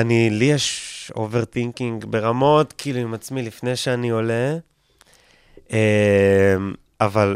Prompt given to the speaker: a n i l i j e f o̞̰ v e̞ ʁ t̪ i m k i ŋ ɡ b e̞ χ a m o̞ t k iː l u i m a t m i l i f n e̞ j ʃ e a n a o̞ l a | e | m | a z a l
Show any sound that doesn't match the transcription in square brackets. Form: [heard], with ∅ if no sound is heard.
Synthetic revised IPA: a n i l i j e [ʃ] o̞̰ v e̞ ʁ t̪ i [ŋ] k i ŋ ɡ b e̞ [ʁ] a m o̞ t k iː l u i m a [t͡s] m i l i f n e̞ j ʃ e a n [i] o̞ l [e] | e | m | a [v] a l